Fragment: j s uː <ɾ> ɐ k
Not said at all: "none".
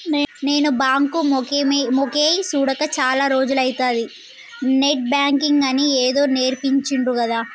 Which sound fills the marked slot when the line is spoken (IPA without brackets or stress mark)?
ɽ